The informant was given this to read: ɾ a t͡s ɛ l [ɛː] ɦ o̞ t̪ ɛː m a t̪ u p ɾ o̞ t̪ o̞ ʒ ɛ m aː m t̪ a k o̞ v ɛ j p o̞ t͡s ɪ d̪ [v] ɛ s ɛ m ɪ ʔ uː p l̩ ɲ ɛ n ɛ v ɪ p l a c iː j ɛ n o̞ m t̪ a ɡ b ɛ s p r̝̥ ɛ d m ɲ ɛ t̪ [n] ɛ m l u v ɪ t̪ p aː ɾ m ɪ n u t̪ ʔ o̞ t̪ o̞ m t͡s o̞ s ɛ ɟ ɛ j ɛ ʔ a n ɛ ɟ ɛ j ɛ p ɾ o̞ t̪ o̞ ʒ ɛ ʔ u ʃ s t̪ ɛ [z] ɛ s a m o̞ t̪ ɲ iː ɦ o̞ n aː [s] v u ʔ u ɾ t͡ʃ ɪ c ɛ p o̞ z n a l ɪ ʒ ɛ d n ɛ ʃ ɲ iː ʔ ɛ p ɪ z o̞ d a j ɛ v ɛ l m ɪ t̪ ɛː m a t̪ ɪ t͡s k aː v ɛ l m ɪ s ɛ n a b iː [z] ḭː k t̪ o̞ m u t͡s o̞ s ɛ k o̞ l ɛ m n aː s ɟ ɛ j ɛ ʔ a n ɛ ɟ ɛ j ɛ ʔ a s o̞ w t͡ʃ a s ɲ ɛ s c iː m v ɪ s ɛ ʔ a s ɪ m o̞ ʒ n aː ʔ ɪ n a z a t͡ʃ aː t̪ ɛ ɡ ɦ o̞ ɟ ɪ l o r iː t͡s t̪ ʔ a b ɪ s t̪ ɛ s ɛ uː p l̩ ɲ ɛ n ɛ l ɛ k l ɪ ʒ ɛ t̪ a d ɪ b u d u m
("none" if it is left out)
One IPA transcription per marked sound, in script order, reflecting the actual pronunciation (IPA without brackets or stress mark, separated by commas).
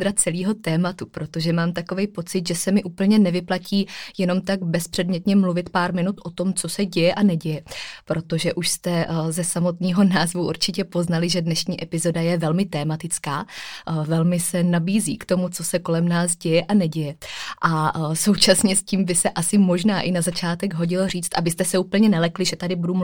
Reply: iː, ʒ, ɲ, z, z, z